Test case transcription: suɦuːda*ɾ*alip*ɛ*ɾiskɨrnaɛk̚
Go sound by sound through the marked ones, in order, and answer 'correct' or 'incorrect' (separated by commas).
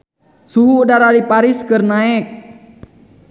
correct, incorrect